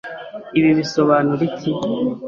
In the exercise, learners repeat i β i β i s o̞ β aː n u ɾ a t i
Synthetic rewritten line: i β i β i s o̞ β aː n u ɾ i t i